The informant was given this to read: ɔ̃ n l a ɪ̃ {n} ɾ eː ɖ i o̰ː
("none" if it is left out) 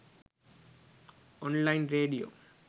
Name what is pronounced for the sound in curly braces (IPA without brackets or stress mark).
n